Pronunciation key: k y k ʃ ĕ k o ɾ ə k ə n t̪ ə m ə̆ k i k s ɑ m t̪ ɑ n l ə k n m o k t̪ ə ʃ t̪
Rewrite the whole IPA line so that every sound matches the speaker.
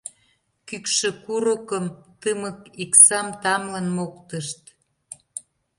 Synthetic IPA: k y k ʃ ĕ k u ɾ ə k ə m t̪ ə m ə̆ k i k s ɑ m t̪ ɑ m l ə n m o k t̪ ə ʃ t̪